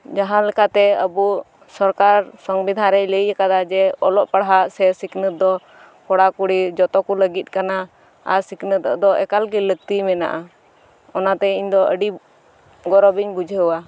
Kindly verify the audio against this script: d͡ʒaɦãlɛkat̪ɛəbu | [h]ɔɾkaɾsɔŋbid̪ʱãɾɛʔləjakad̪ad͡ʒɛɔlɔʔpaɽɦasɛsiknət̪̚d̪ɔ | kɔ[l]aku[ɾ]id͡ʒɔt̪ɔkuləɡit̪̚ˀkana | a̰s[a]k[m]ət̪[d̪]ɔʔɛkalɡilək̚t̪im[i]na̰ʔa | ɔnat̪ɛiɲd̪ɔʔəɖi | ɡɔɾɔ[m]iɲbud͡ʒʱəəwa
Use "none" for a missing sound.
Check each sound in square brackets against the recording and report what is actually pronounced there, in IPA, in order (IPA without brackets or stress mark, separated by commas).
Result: s, ɽ, ɽ, i, n, d̪, ɛ, b